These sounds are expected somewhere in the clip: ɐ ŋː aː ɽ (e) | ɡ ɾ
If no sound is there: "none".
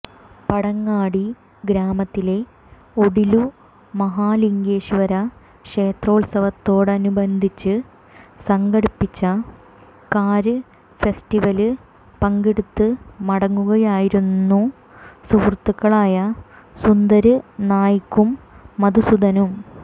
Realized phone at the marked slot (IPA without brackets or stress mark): i